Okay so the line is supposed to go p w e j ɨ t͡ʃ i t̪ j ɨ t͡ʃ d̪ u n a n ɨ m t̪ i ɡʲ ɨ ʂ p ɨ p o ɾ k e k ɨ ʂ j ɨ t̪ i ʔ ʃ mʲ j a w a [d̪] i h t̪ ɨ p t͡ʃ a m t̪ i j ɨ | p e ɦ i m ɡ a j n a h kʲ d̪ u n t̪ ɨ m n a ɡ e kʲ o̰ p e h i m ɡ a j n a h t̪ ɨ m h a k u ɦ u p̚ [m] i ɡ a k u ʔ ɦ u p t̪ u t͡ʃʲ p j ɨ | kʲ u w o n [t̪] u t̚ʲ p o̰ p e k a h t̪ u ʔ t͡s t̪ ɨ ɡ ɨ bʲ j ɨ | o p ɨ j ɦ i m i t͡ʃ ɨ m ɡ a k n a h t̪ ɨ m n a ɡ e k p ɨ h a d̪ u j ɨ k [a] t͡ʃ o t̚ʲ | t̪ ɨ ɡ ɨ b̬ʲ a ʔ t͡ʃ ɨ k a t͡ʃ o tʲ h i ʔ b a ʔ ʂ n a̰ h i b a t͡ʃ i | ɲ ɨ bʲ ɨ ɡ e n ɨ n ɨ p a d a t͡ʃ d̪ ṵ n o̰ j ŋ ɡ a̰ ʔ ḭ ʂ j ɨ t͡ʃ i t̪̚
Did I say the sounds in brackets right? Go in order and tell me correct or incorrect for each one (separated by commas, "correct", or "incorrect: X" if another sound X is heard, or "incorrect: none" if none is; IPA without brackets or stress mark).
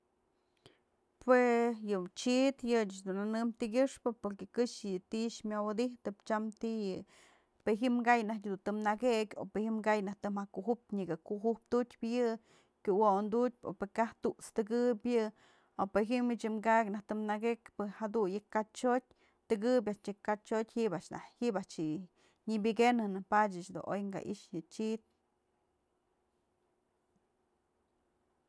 correct, incorrect: ɲ, incorrect: d̪, correct